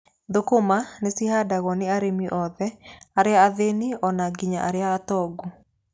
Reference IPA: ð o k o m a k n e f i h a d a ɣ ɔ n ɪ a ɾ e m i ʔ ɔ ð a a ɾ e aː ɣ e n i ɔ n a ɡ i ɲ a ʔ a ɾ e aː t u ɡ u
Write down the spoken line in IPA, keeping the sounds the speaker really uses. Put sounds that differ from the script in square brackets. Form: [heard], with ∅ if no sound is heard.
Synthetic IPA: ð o k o m a [∅] n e [s] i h a d a ɣ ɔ n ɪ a ɾ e m i ʔ ɔ ð [ɛ] a ɾ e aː [ð] e n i ɔ n a ɡ i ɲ a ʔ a ɾ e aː t [ɔ] ɡ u